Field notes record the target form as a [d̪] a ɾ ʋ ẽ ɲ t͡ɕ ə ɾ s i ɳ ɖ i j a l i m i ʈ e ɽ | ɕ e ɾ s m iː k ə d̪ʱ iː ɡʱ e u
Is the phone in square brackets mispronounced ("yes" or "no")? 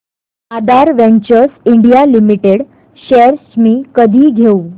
no